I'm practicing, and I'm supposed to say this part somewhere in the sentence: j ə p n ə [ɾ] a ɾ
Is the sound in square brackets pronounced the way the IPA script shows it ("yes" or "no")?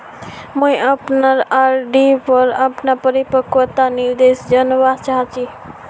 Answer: yes